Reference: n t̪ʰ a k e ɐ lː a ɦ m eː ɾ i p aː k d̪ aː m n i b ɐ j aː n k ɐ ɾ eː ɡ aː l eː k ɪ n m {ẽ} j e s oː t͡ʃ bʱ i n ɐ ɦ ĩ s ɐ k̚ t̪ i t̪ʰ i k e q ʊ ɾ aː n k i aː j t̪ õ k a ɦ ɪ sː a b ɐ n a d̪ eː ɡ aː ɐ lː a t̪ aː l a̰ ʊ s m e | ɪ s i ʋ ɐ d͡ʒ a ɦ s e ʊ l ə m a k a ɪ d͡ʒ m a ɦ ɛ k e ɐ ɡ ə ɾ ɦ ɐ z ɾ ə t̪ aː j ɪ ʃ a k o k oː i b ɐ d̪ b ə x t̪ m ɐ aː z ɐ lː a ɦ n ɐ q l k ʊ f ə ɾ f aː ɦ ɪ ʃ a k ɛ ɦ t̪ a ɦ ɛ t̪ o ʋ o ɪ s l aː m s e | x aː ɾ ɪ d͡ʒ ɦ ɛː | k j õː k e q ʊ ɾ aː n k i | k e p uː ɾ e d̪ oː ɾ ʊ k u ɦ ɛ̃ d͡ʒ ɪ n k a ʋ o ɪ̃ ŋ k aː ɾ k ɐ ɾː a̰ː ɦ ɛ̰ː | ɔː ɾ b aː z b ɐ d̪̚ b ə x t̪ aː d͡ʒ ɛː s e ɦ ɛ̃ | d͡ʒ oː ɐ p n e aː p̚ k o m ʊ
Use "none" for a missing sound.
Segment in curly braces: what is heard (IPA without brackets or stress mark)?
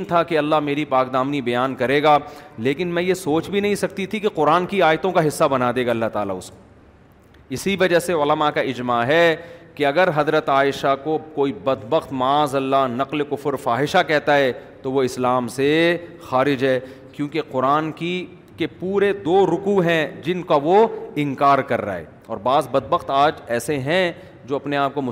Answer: ɛ̃